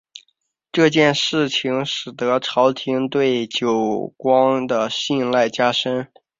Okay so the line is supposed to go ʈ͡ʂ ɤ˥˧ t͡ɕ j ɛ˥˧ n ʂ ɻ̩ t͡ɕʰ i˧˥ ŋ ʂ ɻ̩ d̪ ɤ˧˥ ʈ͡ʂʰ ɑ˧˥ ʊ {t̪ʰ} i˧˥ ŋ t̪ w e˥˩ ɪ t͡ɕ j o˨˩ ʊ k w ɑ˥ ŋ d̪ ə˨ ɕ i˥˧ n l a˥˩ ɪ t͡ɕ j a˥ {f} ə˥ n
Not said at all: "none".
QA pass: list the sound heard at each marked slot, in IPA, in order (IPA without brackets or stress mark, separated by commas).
t̪ʰ, ʂ